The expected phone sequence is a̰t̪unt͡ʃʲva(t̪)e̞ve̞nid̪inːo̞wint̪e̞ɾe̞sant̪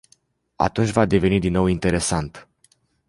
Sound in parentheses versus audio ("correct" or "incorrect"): incorrect